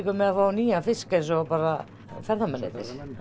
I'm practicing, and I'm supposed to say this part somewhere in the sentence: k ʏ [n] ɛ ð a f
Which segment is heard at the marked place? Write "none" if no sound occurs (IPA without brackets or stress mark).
m